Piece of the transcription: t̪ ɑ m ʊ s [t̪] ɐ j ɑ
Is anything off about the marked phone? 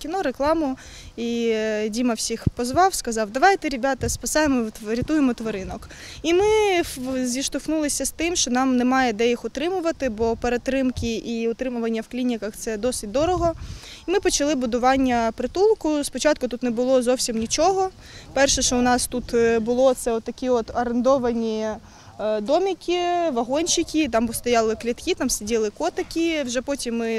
no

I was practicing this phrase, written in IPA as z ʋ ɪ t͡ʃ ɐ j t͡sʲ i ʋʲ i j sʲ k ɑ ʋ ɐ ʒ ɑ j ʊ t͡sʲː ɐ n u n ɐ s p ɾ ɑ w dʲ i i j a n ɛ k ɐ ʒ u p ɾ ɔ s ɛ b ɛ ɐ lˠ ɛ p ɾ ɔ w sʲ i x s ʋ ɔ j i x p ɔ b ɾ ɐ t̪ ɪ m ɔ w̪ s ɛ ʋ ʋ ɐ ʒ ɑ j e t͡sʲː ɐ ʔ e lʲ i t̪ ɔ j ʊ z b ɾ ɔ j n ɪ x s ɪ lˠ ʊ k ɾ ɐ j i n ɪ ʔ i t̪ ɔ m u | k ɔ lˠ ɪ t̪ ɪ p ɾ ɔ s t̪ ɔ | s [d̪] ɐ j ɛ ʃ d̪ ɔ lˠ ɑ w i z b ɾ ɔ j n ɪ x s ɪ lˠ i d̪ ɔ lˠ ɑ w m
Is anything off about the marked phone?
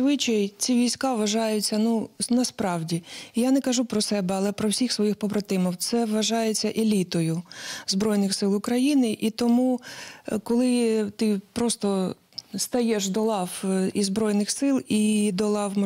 yes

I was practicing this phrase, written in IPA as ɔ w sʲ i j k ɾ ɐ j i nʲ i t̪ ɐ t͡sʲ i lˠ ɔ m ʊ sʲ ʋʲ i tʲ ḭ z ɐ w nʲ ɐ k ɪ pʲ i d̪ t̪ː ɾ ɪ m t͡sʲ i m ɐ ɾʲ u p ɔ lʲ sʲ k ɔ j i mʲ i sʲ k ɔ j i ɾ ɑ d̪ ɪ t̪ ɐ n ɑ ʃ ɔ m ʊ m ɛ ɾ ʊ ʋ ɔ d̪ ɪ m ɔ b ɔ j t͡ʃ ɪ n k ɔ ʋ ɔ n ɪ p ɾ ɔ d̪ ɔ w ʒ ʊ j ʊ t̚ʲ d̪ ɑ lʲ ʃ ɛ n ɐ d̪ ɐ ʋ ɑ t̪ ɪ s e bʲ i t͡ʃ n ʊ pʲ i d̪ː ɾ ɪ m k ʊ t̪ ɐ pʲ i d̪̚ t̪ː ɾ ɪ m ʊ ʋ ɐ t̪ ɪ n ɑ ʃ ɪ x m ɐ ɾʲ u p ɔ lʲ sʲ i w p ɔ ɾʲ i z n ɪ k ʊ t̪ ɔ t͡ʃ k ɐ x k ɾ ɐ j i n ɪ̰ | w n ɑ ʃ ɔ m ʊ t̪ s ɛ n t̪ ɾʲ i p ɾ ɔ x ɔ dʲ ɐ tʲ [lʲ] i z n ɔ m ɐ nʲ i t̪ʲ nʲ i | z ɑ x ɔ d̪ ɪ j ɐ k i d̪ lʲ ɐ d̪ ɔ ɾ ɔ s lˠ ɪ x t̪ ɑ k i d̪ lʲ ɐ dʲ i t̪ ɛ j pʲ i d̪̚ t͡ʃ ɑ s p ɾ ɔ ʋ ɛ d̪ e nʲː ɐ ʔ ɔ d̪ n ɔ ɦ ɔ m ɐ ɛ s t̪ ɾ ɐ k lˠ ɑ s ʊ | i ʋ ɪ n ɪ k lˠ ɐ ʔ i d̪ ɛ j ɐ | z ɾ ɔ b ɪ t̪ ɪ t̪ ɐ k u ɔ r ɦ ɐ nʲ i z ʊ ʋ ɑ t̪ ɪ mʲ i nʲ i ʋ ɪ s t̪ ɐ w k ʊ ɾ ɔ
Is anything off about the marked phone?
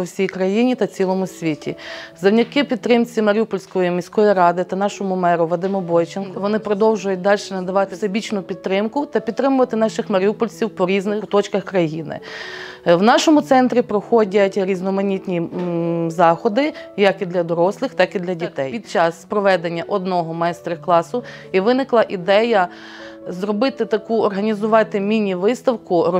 yes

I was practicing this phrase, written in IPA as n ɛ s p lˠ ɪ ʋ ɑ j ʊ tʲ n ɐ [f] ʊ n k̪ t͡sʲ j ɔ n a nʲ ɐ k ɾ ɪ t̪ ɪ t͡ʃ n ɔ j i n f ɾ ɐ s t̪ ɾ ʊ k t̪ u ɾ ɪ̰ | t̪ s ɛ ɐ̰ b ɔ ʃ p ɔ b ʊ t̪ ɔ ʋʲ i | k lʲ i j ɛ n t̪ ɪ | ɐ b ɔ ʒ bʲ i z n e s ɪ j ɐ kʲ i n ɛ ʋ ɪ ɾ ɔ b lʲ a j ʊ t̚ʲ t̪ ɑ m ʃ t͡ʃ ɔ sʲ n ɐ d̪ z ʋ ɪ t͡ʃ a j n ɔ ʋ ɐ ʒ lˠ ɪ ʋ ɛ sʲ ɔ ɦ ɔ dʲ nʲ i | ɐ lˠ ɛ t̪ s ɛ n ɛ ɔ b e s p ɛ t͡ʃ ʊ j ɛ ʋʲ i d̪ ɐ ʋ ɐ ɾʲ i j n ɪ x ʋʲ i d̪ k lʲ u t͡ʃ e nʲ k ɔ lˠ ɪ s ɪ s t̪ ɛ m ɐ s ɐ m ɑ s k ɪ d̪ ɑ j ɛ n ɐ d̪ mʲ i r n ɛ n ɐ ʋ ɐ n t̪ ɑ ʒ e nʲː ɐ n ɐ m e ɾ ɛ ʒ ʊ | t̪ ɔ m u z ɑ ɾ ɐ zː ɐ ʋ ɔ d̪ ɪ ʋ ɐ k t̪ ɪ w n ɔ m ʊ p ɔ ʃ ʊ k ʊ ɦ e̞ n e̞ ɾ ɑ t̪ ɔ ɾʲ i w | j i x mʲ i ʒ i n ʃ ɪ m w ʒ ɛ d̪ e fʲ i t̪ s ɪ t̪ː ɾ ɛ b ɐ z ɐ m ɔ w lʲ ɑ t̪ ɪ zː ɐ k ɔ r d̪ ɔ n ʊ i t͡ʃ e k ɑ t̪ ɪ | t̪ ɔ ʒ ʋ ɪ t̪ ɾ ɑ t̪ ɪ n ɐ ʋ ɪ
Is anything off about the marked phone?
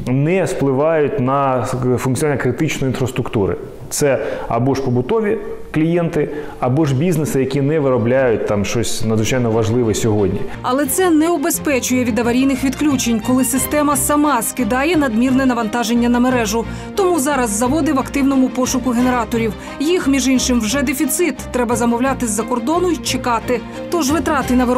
no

